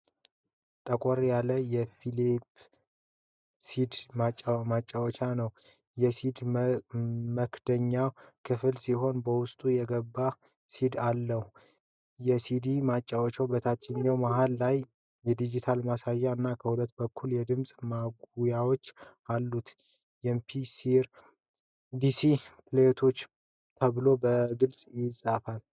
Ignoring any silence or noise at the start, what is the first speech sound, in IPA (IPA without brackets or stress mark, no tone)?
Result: t̪ʼ